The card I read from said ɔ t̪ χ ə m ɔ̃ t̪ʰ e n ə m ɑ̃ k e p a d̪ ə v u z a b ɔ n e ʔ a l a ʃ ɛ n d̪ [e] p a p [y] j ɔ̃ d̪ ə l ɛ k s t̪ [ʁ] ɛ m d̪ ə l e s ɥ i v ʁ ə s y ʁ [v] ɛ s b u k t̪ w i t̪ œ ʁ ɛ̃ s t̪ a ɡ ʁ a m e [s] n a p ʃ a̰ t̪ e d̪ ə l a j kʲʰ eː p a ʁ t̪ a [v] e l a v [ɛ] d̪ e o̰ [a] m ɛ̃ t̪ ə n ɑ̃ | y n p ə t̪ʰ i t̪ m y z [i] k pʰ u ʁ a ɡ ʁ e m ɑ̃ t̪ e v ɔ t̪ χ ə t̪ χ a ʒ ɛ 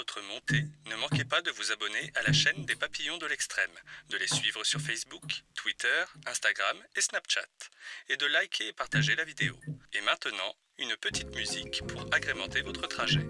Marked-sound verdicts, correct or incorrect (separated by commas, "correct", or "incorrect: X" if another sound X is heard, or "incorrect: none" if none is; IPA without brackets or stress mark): correct, incorrect: i, incorrect: χ, incorrect: f, correct, incorrect: ʒ, incorrect: i, incorrect: e, correct